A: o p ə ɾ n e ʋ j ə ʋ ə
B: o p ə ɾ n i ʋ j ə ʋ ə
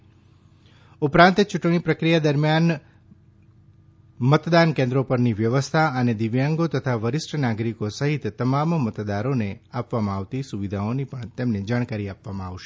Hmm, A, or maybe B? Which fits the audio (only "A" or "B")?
B